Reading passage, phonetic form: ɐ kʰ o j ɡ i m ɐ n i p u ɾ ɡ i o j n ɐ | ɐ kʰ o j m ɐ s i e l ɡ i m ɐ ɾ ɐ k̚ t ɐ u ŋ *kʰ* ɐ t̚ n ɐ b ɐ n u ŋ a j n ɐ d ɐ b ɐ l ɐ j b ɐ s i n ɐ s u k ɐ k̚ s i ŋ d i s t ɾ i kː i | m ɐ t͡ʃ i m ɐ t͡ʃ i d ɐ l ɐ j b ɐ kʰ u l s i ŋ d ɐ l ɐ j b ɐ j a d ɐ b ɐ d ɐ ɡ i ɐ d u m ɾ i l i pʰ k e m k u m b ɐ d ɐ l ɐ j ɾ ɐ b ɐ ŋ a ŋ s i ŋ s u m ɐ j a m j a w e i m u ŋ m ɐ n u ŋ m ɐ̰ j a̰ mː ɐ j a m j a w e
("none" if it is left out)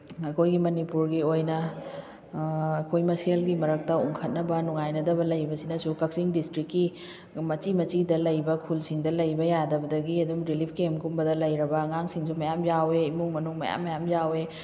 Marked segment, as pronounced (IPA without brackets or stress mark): kʰ